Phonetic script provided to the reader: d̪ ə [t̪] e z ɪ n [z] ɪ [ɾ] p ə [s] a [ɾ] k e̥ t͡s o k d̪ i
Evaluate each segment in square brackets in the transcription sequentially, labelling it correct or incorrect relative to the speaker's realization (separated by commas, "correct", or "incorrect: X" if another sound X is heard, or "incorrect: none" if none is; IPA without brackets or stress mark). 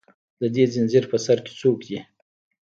incorrect: d̪, correct, correct, correct, correct